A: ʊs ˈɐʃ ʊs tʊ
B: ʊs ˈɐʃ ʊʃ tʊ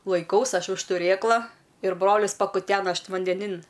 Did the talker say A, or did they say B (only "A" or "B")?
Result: B